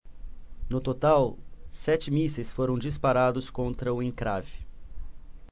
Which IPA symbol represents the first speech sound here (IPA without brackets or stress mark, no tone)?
n